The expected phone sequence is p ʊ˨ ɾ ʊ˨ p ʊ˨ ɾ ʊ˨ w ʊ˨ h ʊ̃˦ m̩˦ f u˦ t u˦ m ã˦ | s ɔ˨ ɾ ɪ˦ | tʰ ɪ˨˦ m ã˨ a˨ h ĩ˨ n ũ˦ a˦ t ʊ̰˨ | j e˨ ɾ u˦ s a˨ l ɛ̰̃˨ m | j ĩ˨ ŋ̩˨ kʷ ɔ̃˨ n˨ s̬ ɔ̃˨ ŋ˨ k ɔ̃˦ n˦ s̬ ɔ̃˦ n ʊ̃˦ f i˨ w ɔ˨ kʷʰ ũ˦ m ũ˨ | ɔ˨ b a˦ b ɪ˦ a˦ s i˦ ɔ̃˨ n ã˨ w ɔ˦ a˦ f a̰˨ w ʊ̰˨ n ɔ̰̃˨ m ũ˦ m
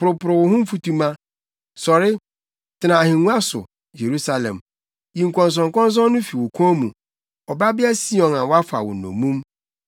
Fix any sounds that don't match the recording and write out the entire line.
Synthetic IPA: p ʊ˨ ɾ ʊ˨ p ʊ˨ ɾ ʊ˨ w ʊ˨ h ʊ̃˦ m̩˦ f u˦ t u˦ m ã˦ | s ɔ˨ ɾ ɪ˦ | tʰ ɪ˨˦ n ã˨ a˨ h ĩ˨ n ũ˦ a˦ s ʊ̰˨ | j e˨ ɾ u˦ s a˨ l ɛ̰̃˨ m | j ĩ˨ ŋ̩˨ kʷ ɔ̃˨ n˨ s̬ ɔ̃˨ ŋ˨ k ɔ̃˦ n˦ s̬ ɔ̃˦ n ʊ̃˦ f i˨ w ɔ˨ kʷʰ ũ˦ m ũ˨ | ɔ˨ b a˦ b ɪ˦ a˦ s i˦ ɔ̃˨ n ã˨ w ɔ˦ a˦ f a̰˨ w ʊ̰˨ n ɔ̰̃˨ m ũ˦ m